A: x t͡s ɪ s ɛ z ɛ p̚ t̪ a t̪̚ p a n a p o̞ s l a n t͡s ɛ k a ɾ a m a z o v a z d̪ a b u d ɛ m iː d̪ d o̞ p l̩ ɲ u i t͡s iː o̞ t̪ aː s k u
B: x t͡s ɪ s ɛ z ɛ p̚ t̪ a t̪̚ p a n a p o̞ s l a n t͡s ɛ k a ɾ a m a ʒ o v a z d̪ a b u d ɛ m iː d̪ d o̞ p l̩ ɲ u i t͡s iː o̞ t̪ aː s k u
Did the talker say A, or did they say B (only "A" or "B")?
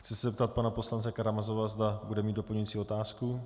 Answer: A